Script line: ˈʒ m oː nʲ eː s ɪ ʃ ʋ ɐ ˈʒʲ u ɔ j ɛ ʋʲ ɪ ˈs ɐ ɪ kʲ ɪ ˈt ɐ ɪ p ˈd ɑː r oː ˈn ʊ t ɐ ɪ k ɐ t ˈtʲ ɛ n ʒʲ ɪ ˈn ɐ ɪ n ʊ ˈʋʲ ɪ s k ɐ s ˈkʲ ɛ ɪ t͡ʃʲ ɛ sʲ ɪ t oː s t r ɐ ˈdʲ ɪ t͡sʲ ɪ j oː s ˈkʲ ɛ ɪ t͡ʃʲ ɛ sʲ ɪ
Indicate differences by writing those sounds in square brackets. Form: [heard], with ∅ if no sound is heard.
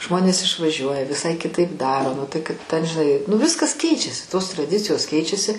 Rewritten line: ˈʒ m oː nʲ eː s ɪ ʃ ʋ ɐ ˈʒʲ u ɔ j ɛ ʋʲ ɪ ˈs ɐ ɪ kʲ ɪ ˈt ɐ ɪ p ˈd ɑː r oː ˈn ʊ t ɐ ɪ k ɐ t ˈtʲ ɛ n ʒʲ ɪ ˈn ɐ ɪ n ʊ ˈʋʲ ɪ s k ɐ s ˈkʲ ɛ ɪ t͡ʃʲ ɛ sʲ ɪ t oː s t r ɐ ˈdʲ ɪ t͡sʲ ɪ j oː s ˈkʲ ɛ ɪ t͡ʃʲ ɛ sʲ ɪ

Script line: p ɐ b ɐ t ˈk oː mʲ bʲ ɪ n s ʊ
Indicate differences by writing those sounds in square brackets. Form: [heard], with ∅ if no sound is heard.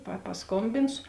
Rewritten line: p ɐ [p] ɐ [s] ˈk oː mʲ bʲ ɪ n s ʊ

